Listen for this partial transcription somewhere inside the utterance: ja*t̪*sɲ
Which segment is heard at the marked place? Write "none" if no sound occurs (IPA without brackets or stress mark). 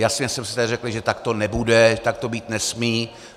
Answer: none